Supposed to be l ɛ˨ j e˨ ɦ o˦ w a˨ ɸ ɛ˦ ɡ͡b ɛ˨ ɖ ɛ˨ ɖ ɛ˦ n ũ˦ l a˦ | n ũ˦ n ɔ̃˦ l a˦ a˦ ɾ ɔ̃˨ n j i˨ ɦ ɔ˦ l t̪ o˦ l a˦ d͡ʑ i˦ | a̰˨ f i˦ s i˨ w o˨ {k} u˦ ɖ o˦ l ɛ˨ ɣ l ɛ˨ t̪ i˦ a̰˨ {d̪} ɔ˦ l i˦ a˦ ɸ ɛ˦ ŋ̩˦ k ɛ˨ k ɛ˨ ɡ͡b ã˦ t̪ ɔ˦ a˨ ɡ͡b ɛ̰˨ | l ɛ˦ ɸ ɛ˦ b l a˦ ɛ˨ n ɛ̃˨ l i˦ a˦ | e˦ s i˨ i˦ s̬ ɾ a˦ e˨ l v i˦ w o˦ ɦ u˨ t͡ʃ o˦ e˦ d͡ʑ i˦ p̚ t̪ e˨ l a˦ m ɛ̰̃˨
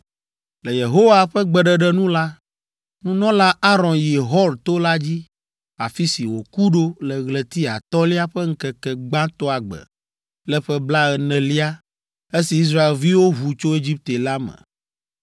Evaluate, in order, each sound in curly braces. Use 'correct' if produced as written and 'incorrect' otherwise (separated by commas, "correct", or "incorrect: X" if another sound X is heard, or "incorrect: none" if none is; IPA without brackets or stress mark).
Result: correct, incorrect: t̪